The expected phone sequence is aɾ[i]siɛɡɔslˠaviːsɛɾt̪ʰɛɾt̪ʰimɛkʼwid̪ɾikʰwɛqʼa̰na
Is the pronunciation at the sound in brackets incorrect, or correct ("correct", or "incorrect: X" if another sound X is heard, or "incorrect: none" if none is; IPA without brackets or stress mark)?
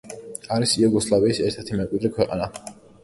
correct